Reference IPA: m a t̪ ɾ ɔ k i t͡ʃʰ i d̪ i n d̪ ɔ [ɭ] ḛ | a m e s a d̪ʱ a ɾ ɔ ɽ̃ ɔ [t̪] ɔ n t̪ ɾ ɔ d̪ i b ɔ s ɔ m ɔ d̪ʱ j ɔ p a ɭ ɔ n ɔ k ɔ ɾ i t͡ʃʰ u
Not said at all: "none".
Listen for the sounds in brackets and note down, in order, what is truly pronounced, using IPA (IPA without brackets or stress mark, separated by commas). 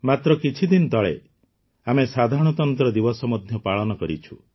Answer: ɭ, t̪